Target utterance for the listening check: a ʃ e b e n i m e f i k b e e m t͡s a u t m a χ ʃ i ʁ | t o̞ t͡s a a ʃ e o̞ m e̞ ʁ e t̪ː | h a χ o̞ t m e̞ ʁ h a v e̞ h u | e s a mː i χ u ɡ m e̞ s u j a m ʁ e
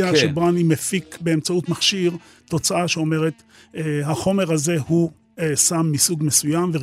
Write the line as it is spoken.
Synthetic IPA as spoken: a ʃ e b a n i m e f i k b e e m t͡s a u t m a χ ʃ i ʁ | t o̞ t͡s a a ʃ e o̞ m e̞ ʁ e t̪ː | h a χ o̞ m e̞ ʁ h a z e̞ h u | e s a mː i s u ɡ m e̞ s u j a m v e